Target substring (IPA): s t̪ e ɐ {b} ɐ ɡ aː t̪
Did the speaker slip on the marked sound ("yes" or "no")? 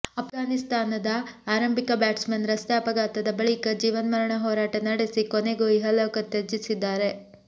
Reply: yes